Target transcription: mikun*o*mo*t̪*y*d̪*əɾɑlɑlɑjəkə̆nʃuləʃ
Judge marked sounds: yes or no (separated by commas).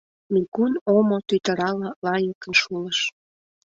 yes, yes, no